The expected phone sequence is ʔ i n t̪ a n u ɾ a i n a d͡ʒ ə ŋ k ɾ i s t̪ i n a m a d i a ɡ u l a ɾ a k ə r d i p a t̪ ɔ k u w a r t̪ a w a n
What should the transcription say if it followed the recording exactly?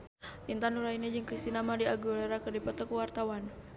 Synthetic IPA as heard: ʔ i n t̪ a n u ɾ a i n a d͡ʒ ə ŋ k ɾ i s t̪ i n a m a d i a ɡ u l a ɾ a k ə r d i p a t̪ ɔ k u w a r t̪ a w a n